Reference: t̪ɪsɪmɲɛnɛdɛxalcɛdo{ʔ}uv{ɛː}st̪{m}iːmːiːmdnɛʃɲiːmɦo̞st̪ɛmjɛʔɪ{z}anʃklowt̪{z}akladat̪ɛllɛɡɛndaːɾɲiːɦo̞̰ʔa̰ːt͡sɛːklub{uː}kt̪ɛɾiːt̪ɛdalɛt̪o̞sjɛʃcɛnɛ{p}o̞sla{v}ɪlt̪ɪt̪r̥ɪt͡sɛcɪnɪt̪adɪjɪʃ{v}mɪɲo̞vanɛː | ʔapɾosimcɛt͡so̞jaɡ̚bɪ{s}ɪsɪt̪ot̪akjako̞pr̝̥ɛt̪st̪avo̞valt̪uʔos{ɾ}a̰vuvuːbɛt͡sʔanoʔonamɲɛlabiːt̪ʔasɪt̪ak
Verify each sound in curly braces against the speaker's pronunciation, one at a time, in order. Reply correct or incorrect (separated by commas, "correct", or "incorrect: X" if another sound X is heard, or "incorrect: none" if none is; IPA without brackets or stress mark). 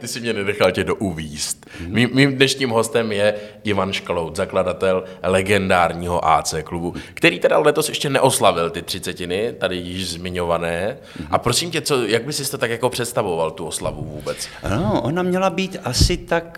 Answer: correct, incorrect: iː, correct, incorrect: v, correct, incorrect: u, incorrect: ʔ, correct, incorrect: z, correct, incorrect: l